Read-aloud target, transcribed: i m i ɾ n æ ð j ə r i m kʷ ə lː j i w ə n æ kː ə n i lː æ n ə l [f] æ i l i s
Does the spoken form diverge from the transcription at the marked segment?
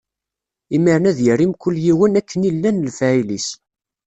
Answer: no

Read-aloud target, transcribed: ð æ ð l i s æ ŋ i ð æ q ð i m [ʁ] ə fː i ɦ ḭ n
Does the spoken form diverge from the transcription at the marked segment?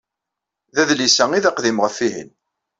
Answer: no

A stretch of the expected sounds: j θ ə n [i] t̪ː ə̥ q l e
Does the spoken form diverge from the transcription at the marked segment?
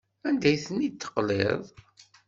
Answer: no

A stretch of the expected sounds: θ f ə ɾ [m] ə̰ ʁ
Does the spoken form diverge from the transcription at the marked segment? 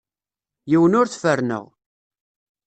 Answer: yes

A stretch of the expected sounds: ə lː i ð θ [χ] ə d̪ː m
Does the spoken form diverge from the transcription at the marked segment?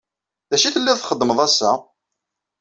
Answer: no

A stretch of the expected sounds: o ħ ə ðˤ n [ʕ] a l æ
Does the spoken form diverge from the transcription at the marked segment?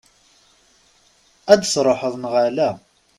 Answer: yes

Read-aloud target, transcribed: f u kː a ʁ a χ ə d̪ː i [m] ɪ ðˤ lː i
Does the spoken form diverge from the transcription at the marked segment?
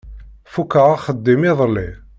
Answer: no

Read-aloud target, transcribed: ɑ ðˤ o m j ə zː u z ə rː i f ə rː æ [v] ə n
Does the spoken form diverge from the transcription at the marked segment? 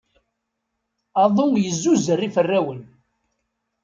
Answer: yes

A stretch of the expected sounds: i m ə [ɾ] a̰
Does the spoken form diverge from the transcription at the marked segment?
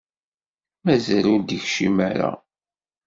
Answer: no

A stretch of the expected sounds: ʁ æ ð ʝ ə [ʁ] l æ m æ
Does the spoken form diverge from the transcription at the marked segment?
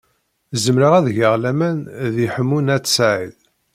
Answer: no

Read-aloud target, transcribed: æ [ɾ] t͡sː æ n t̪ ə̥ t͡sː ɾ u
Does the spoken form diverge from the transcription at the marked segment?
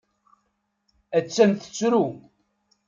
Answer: yes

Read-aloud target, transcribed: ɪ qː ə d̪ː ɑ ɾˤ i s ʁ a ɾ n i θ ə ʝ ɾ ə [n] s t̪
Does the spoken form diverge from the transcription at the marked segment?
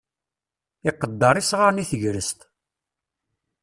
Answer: yes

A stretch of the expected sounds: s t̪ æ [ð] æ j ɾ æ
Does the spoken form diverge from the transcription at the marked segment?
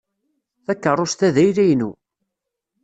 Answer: no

